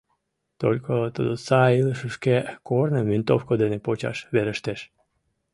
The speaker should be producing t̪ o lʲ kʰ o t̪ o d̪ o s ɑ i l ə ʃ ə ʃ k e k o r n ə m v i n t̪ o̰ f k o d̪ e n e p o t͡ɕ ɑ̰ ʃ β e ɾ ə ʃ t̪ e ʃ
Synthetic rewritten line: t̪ o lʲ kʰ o t̪ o d̪ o s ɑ i l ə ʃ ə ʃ k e k o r n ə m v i n t̪ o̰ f k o d̪ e n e p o t͡ɕ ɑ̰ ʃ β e ɾ ə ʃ t̪ e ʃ